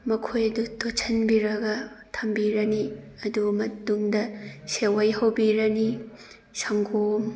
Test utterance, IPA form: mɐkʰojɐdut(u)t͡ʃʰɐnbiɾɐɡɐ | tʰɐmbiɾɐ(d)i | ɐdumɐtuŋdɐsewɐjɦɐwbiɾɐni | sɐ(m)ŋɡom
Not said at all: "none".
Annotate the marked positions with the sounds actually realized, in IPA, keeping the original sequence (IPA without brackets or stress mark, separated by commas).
o, n, none